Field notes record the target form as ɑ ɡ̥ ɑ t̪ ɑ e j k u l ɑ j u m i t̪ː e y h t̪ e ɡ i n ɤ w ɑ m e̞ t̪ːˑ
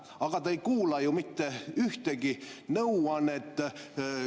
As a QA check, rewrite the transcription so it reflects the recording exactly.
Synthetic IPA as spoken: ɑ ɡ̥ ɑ t̪ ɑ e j k uː l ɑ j u m i t̪ː e y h t̪ e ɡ i n ɤ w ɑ n e̞ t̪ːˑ